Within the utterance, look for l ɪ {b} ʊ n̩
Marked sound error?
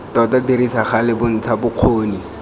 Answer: no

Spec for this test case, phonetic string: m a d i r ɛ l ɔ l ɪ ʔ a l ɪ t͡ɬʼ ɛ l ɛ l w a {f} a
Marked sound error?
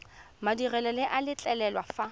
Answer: no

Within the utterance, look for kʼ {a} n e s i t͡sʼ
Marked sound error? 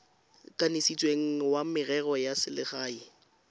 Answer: no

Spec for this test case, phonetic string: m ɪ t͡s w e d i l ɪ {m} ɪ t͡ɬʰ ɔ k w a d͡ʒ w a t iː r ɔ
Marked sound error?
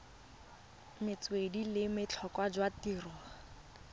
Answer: no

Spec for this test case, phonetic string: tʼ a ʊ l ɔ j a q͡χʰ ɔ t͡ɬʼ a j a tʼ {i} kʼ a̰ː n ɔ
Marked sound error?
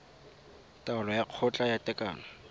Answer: yes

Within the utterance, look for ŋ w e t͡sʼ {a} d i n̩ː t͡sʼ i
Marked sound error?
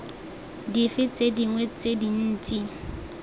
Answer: yes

